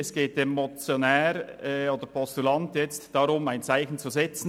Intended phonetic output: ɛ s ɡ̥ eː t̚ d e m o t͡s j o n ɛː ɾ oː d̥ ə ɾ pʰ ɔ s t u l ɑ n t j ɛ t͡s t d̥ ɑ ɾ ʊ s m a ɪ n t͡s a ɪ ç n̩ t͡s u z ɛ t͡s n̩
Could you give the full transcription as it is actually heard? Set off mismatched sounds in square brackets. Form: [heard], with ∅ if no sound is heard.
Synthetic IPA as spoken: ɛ s ɡ̥ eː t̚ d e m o t͡s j o n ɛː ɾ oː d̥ ə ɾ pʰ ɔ s t u l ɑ n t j ɛ t͡s t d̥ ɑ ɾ ʊ [∅] m a ɪ n t͡s a ɪ ç n̩ t͡s u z ɛ t͡s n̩